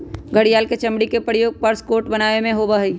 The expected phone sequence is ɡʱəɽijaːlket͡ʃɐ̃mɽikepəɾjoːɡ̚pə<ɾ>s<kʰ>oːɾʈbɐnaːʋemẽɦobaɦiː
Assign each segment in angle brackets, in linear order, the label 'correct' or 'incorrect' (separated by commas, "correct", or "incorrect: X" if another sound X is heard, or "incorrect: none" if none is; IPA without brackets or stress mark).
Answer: correct, incorrect: k